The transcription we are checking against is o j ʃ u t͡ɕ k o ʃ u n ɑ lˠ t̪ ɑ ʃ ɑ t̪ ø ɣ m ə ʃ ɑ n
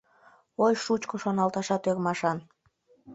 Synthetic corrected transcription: o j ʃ u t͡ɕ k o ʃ o n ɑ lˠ t̪ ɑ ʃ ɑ t̪ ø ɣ m ɑ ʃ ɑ n